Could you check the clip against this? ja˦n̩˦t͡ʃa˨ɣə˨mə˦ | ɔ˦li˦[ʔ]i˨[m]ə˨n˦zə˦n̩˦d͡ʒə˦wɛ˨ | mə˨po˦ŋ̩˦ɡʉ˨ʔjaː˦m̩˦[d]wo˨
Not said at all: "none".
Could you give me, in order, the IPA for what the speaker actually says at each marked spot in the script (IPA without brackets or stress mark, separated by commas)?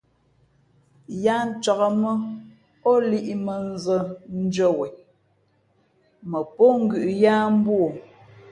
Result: ʔ, m, b